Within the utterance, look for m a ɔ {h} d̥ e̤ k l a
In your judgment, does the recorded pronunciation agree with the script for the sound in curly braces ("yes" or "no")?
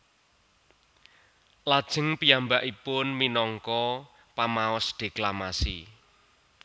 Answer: no